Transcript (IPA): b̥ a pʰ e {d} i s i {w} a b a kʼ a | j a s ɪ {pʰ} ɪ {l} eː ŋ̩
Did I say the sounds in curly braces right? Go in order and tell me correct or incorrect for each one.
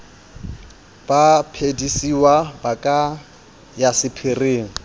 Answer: correct, correct, correct, incorrect

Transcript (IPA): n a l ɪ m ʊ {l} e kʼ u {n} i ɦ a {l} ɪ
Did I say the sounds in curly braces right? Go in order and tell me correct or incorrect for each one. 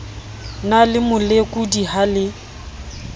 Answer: correct, incorrect, correct

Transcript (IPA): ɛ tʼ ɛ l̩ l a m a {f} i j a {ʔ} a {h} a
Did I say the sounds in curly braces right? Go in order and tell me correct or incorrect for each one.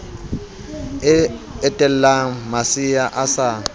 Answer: incorrect, correct, incorrect

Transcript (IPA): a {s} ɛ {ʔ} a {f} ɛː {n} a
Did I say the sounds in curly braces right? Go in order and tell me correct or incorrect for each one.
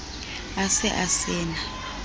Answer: correct, correct, incorrect, correct

